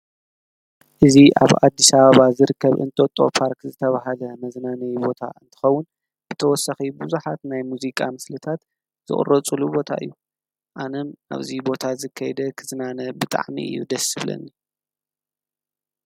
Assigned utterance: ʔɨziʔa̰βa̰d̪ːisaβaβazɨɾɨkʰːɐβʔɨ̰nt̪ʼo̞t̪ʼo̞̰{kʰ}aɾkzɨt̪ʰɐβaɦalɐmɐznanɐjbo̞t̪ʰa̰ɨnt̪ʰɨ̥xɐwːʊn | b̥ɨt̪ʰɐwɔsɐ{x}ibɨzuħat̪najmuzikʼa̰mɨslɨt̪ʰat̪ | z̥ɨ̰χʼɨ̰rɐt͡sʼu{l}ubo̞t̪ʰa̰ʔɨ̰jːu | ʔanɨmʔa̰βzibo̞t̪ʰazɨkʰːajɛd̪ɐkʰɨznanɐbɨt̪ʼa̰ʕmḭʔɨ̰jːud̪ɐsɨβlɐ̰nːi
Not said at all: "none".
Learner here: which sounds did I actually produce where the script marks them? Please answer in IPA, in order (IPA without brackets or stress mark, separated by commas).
pʰ, x, l